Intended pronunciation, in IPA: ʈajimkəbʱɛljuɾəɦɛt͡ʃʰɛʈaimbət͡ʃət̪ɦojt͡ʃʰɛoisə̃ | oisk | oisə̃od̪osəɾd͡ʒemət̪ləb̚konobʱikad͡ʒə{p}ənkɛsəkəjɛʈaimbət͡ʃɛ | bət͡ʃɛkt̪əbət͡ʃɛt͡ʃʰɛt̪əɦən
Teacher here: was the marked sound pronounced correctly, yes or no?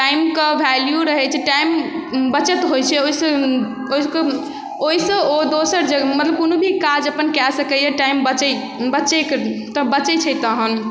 yes